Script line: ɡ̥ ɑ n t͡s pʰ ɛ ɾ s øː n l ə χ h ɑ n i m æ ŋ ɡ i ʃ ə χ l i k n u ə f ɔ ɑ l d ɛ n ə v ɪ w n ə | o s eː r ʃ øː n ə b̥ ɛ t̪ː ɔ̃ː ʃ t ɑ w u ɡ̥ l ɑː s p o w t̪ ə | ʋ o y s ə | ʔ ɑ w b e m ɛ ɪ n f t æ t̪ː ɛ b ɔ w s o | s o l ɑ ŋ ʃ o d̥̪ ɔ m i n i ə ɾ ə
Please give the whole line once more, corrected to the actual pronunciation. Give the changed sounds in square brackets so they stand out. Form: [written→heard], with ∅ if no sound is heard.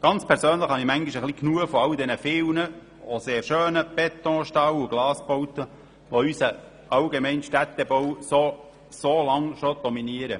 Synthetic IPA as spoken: ɡ̥ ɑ n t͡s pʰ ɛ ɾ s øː n l ə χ h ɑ n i m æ ŋ ɡ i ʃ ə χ l i k n u ə f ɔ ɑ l d ɛ n ə [v→f] ɪ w n ə | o s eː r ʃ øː n ə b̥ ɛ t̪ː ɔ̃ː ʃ t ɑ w u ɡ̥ l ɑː s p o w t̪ ə | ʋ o y s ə | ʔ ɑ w [b→ɡ] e m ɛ ɪ n [f→ʃ] t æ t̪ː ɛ b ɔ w s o | s o l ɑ ŋ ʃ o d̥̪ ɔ m i n i ə ɾ ə